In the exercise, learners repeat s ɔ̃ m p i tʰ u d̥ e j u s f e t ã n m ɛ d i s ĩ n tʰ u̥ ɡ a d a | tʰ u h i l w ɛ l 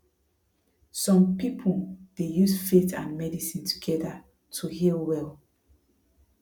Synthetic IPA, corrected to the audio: s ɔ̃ m p i pʰ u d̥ e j u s f e t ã n m ɛ d i s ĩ n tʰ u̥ ɡ ɛ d a | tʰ u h i l w ɛ l